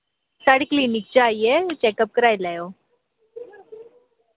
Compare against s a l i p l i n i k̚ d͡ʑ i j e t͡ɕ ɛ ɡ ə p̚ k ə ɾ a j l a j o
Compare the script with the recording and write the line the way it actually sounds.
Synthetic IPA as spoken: s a ɽ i k l i n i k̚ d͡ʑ a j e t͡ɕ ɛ k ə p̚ k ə ɾ a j l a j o